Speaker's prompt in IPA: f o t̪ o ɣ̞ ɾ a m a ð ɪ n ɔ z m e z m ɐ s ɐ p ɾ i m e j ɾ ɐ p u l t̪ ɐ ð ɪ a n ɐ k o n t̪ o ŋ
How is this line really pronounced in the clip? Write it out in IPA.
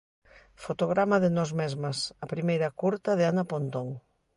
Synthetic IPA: f o t̪ o ɣ̞ ɾ a m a ð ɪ n ɔ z m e z m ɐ s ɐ p ɾ i m e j ɾ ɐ k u ɾ t̪ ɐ ð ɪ a n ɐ p o n t̪ o ŋ